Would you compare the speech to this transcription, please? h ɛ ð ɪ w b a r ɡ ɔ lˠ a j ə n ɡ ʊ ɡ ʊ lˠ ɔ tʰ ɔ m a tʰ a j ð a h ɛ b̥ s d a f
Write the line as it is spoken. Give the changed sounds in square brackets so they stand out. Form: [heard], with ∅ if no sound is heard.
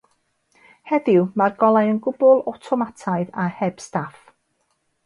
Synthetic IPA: h ɛ ð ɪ w [m] a r ɡ ɔ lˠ a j ə n ɡ ʊ [b] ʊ lˠ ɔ tʰ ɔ m a tʰ a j ð a h ɛ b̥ s [t] a f